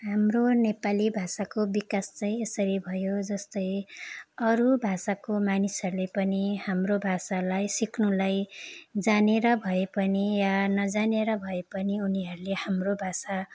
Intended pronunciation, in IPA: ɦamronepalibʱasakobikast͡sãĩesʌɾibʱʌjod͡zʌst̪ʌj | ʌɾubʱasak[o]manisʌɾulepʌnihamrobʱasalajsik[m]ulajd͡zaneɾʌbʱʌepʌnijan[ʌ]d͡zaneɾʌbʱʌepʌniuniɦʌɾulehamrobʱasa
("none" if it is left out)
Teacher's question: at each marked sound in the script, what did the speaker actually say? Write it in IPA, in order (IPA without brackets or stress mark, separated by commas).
o, n, ʌ